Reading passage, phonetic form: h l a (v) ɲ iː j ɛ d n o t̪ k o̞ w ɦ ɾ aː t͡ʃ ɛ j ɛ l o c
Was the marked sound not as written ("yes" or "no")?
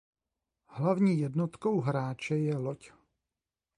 no